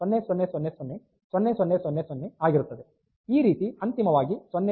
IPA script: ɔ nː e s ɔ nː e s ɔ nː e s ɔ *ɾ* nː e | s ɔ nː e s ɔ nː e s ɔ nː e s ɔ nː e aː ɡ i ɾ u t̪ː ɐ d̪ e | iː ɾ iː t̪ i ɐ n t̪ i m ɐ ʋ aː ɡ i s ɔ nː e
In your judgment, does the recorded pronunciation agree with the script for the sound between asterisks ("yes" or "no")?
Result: no